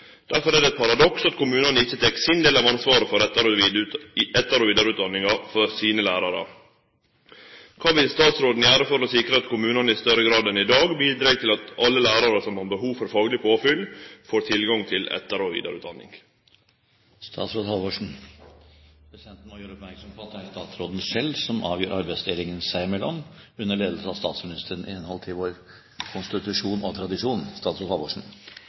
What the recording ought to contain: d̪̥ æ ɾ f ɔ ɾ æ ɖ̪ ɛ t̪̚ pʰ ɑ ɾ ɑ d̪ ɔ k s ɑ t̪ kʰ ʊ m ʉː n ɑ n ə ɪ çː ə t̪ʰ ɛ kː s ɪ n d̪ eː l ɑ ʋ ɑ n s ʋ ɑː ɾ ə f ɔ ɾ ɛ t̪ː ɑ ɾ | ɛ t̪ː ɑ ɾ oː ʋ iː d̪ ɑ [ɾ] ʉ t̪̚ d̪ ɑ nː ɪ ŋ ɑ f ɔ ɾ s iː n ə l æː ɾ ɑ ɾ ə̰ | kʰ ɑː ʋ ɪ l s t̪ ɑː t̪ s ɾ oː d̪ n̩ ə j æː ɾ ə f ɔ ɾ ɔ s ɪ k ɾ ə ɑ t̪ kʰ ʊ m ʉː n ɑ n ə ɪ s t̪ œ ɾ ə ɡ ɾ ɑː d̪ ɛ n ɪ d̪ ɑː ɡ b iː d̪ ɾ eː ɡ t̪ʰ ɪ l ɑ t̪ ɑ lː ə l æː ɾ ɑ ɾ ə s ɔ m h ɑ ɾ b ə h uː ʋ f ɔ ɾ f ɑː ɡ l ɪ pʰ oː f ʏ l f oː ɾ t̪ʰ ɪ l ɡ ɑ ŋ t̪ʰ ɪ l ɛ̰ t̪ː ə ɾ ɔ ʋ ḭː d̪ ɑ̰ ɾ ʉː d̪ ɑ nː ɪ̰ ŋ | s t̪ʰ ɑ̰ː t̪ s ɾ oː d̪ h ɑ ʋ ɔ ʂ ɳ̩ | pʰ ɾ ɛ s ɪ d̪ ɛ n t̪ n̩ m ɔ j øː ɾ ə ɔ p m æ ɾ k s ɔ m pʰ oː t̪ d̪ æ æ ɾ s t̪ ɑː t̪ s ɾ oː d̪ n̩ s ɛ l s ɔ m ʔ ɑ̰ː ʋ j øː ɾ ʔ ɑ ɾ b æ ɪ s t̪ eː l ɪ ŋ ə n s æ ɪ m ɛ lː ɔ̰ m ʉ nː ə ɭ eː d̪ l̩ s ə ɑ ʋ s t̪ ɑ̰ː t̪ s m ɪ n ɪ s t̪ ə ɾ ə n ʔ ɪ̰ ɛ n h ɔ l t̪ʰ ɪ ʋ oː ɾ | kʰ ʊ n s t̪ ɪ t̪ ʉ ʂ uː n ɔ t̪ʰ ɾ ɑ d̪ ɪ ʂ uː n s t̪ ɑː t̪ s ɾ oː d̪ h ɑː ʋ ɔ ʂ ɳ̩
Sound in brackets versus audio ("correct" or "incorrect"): correct